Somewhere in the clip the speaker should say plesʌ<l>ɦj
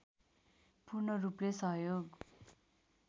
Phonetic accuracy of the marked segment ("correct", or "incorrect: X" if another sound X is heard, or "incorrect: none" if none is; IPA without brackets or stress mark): incorrect: none